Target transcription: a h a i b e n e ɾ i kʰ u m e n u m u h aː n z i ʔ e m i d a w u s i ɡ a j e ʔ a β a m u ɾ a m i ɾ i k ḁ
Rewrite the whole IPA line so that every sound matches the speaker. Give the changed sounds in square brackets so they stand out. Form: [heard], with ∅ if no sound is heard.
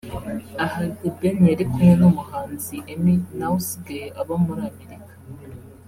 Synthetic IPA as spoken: a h a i b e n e ɾ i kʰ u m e n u m u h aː n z i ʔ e m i [n] a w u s i ɡ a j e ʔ a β a m u ɾ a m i ɾ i k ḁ